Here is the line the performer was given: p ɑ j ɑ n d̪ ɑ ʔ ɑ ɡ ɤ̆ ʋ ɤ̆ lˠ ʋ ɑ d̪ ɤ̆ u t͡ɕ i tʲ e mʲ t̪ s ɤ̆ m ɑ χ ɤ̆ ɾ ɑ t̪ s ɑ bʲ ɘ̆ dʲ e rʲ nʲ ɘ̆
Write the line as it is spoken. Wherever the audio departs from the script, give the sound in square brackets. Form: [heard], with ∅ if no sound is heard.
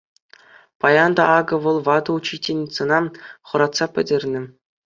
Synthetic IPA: p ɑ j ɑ n d̪ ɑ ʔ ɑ ɡ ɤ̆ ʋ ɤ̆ lˠ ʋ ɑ d̪ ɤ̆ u t͡ɕ i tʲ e [nʲ] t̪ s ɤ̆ [n] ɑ χ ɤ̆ ɾ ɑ t̪ s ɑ [pʲ] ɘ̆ dʲ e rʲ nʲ ɘ̆